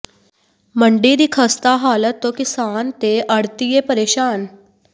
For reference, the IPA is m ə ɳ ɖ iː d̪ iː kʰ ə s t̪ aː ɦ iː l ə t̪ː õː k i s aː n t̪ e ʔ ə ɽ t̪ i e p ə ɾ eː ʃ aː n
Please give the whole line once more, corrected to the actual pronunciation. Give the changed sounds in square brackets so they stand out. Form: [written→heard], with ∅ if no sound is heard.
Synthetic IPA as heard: m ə ɳ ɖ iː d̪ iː kʰ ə s t̪ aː ɦ [iː→aː] l ə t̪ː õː k [i→ɪ] s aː n t̪ e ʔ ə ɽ t̪ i e p ə ɾ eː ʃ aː n